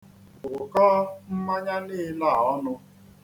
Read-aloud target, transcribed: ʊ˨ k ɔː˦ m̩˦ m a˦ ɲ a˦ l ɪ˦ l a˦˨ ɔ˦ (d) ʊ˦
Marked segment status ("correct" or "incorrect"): incorrect